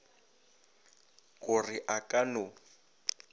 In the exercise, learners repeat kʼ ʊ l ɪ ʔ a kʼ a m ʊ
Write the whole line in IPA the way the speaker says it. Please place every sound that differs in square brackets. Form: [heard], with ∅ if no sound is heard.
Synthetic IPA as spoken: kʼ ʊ [r] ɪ ʔ a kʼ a [n] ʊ